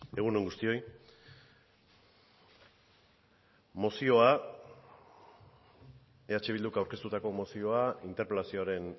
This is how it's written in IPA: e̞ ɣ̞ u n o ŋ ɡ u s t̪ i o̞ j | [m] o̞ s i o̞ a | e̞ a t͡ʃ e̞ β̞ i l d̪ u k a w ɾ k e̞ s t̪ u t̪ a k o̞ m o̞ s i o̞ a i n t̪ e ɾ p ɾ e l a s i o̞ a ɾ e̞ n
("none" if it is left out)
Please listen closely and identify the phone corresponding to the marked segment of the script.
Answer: m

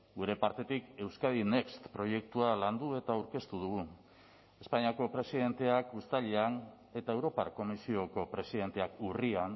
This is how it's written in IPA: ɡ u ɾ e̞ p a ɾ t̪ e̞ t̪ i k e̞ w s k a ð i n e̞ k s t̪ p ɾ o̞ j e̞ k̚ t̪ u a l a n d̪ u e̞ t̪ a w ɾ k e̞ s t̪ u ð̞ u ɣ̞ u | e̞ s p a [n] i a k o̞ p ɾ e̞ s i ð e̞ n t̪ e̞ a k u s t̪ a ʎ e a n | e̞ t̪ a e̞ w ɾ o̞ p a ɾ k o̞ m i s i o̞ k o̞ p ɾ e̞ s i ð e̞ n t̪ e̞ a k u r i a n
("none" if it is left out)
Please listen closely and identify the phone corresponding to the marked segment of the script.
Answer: ɲ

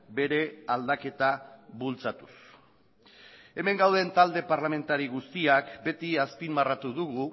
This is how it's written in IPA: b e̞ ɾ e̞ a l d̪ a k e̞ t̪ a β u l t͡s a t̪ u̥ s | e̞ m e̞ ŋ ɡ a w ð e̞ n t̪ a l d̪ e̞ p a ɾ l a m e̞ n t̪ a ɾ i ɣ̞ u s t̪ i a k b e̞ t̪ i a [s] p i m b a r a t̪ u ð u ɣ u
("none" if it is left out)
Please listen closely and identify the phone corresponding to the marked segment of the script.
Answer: s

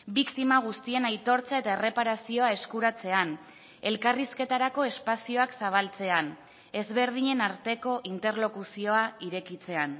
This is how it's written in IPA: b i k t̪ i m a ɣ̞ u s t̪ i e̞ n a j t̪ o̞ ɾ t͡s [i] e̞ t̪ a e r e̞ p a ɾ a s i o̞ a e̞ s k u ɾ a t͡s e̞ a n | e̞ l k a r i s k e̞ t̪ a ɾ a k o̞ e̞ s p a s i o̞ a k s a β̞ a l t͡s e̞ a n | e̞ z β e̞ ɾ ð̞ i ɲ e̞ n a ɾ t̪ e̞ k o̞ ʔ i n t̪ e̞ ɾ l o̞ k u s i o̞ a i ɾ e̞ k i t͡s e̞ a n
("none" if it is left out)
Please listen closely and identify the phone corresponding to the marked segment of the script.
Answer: a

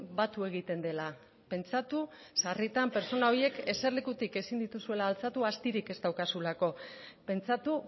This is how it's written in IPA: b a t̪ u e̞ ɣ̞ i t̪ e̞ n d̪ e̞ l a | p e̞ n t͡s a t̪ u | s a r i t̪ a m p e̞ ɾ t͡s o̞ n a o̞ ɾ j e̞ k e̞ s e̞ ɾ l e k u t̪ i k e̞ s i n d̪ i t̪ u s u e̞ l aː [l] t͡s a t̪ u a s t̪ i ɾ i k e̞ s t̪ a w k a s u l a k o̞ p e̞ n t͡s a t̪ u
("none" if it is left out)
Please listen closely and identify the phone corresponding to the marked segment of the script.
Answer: l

